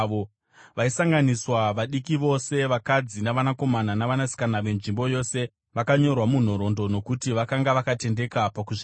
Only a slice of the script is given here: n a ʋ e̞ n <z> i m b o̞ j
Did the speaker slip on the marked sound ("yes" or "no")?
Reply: yes